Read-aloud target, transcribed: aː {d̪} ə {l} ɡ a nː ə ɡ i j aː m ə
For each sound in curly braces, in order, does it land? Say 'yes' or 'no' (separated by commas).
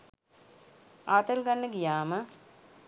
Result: no, yes